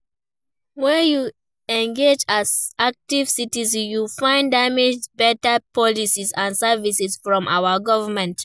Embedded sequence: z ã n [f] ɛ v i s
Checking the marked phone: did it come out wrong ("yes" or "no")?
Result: yes